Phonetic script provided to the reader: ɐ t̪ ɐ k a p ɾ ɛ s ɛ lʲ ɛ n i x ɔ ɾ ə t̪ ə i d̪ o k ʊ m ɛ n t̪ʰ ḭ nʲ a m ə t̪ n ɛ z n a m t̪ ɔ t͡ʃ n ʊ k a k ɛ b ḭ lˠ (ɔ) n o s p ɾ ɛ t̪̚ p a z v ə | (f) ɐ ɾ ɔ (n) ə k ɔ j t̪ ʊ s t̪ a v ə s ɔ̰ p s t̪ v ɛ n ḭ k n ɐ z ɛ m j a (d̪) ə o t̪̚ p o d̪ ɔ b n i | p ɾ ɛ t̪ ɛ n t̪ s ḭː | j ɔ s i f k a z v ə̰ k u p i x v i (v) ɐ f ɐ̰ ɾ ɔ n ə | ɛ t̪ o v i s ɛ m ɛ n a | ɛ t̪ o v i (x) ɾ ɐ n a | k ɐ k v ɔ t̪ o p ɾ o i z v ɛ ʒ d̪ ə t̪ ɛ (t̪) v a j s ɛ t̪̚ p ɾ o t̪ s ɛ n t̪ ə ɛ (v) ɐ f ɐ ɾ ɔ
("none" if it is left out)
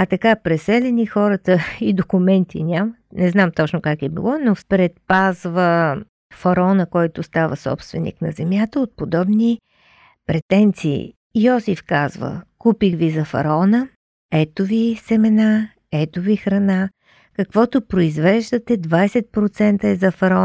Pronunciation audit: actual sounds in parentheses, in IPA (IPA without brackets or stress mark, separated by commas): ɔ, f, n, t̪, z, x, d̪, z